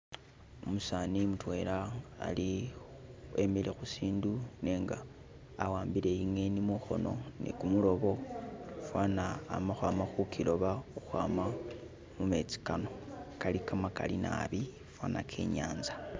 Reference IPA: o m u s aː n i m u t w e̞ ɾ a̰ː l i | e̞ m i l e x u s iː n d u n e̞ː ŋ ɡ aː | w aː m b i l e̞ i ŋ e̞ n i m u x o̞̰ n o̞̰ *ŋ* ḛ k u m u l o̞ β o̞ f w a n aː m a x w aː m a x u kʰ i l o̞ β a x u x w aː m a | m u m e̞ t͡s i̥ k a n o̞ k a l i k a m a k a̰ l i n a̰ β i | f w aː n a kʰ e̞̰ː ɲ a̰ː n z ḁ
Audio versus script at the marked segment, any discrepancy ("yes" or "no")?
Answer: yes